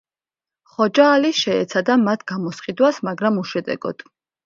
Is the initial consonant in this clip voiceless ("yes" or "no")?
yes